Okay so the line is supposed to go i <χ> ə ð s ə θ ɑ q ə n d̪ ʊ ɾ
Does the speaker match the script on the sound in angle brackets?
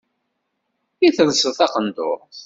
no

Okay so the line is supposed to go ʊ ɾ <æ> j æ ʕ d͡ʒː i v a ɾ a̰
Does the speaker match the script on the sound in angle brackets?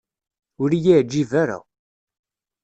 no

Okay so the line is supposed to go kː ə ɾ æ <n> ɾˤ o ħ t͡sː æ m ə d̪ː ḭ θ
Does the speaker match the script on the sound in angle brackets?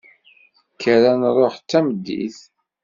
yes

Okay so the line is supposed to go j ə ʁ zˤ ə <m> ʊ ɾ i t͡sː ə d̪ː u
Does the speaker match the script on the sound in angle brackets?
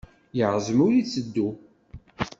yes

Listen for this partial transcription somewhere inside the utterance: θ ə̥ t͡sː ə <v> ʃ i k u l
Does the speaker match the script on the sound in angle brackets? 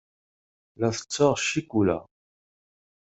no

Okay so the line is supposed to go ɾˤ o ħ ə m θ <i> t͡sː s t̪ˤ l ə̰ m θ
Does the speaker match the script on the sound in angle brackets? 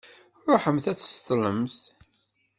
no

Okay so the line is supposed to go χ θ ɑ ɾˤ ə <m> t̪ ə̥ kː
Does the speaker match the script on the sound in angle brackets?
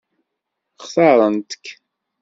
no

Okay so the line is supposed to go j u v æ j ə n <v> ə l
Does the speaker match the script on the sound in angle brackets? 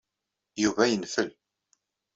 no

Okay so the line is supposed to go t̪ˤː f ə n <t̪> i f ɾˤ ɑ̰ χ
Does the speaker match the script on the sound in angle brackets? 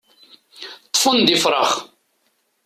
no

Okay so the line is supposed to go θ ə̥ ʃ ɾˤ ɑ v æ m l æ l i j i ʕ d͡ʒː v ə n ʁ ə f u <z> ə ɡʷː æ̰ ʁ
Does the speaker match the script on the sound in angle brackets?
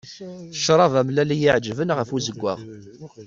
yes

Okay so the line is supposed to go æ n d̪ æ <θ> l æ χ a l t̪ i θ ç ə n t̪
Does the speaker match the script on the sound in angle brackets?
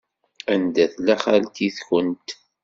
yes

